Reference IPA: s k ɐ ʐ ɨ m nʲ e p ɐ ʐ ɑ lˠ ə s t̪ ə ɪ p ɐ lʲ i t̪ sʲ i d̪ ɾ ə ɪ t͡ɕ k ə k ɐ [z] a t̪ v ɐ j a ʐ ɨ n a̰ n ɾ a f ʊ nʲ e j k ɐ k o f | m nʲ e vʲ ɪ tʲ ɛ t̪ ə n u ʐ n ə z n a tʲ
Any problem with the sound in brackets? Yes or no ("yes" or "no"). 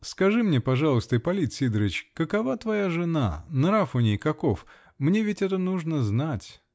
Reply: yes